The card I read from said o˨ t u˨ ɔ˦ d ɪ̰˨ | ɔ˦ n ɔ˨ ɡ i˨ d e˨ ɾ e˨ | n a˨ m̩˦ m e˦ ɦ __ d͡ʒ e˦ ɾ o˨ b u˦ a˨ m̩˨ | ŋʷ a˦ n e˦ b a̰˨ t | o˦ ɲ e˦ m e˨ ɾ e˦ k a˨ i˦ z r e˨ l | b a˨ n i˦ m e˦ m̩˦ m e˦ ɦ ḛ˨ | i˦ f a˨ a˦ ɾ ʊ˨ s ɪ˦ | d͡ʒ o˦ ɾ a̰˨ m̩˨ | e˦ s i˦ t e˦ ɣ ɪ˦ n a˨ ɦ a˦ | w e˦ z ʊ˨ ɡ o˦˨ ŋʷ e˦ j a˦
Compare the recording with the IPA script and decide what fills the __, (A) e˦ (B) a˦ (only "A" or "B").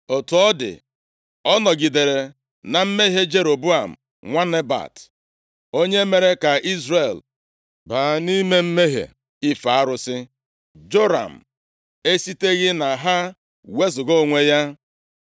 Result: A